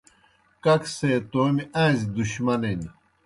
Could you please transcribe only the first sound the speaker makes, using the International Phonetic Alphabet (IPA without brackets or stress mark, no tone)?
k